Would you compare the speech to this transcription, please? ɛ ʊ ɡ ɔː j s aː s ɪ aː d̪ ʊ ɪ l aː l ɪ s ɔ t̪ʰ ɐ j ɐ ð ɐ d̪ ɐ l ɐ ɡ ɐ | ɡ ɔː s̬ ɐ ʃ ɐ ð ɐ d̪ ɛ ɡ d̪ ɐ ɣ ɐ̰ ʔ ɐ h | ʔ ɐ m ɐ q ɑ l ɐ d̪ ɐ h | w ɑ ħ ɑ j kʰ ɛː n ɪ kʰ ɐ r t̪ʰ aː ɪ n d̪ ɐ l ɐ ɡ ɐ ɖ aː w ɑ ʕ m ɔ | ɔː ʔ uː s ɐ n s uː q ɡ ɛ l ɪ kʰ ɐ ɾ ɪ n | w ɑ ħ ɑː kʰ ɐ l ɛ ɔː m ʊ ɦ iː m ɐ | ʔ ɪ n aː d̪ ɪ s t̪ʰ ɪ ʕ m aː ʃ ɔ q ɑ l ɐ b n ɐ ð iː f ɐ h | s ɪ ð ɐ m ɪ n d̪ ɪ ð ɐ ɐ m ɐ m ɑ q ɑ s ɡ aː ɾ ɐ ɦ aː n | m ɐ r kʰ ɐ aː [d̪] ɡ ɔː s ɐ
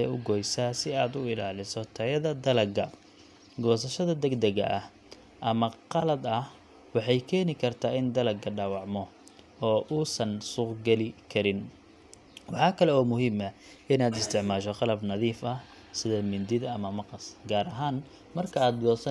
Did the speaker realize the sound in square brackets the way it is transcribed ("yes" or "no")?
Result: yes